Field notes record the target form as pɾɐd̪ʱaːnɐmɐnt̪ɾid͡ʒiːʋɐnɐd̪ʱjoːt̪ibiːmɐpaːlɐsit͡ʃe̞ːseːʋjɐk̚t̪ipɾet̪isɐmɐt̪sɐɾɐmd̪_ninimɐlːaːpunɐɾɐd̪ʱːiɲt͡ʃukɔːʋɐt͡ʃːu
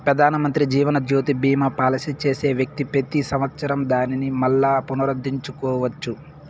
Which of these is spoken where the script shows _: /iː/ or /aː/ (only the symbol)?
aː